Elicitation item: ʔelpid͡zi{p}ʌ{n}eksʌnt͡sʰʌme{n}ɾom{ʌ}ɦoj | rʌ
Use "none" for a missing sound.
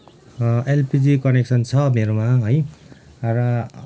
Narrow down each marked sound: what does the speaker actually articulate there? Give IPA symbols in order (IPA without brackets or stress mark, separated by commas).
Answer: k, n, none, a